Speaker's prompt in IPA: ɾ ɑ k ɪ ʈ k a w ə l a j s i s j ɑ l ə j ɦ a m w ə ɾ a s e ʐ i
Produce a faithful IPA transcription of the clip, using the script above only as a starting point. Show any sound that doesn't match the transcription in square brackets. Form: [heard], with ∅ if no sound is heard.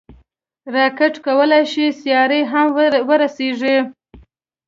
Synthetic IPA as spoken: ɾ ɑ k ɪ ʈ k a w ə l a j [ʃ] i s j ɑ [ɾ] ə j ɦ a m w ə ɾ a s e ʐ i